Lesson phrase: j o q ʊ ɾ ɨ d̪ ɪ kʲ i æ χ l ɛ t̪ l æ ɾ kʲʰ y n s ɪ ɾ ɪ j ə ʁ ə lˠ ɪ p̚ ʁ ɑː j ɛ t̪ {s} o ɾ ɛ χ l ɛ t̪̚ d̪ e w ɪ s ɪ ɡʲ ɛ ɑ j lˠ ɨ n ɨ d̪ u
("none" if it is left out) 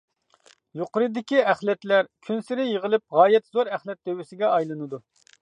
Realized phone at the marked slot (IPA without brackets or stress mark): z